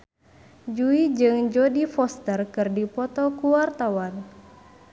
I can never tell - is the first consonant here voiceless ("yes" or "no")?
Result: no